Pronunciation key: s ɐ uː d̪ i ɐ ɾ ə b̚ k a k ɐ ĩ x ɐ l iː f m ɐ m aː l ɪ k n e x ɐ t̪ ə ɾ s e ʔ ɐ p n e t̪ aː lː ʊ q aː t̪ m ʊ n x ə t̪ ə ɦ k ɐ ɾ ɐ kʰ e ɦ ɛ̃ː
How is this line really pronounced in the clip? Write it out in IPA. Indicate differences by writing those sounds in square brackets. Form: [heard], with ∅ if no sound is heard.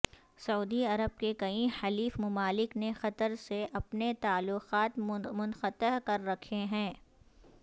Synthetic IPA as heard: s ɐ uː d̪ i ɐ ɾ ə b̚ k [e] k ɐ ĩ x ɐ l iː f m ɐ m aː l ɪ k n e x ɐ t̪ ə ɾ s e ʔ ɐ p n e t̪ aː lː ʊ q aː t̪ m ʊ n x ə t̪ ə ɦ k ɐ [ɾː] ɐ kʰ e ɦ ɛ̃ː